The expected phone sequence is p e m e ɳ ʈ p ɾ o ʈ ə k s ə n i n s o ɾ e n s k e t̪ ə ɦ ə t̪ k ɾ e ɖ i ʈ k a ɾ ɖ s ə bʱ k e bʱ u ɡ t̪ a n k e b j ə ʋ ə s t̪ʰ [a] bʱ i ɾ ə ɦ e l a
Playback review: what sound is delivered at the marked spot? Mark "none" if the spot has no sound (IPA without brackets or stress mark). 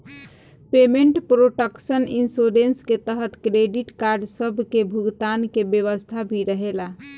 a